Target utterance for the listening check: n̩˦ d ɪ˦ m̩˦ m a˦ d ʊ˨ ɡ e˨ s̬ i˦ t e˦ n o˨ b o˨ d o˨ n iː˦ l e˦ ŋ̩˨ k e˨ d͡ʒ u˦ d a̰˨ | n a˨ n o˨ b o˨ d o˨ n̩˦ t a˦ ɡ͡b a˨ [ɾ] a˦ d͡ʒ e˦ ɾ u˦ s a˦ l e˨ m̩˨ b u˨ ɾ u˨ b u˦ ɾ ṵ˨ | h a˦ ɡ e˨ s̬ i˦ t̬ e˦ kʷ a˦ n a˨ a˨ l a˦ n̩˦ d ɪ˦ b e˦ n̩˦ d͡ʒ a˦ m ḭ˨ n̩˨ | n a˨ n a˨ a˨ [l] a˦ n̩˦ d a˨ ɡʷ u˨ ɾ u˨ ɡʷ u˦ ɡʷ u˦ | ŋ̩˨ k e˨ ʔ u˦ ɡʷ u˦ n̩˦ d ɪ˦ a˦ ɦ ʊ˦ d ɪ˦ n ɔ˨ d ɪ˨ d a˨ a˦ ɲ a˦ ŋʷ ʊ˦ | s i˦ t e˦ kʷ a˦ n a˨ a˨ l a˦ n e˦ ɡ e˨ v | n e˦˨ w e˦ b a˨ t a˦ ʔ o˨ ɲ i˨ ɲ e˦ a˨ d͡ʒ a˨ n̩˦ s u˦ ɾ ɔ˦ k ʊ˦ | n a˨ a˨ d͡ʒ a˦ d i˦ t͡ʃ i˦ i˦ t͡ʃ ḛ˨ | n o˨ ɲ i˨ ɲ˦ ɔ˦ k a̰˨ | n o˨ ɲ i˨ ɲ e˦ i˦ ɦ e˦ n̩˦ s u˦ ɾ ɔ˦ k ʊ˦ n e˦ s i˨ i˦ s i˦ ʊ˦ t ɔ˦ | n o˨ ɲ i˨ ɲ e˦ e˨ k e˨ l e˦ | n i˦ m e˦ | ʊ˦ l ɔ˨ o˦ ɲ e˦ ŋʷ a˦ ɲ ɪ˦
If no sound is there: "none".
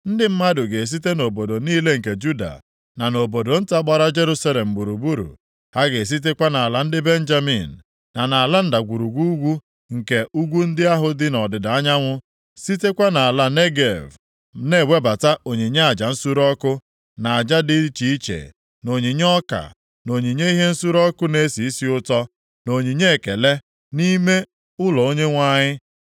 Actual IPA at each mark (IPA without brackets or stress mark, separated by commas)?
ɾ, l